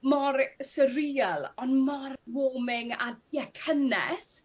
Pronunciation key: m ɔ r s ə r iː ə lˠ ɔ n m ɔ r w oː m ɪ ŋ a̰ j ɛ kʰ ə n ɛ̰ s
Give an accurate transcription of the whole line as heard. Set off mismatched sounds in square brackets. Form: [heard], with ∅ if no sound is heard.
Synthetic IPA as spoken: m ɔ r s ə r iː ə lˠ ɔ n m ɔ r w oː m ɪ ŋ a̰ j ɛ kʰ ə n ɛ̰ s